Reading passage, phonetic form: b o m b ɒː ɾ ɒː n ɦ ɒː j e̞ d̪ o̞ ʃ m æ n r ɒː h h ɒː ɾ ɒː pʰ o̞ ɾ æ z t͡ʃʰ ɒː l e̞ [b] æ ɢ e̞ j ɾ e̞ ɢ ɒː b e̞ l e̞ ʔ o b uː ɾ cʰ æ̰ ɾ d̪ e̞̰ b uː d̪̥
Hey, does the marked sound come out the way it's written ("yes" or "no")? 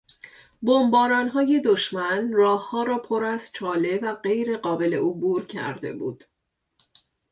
no